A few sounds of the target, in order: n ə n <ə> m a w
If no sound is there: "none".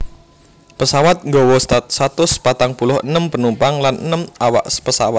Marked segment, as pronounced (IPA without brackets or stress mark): ə